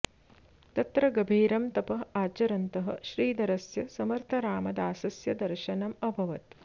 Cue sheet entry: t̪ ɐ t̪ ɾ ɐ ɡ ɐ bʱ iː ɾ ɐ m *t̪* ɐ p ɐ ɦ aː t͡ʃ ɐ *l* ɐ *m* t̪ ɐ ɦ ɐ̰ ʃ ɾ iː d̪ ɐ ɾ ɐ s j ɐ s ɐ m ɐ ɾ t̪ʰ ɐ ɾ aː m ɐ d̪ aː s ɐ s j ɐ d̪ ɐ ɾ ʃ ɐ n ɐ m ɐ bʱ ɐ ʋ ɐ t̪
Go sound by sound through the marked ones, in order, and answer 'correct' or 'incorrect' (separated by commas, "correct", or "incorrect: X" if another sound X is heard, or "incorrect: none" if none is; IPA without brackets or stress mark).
correct, incorrect: ɾ, incorrect: n